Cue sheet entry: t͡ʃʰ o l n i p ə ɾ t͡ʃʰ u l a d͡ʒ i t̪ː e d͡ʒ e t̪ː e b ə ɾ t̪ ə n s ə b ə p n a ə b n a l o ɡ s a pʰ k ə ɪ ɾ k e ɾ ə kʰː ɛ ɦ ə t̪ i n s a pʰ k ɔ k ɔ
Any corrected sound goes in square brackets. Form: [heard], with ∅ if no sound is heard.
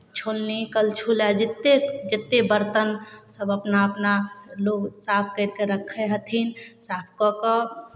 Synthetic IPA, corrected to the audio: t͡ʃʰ o l n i [k] ə [l] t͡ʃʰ u l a d͡ʒ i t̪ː e d͡ʒ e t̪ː e b ə ɾ t̪ ə n s ə b ə p n a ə [p] n a l o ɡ s a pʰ k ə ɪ ɾ k e ɾ ə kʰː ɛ ɦ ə [t̪ʰ] i n s a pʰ k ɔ k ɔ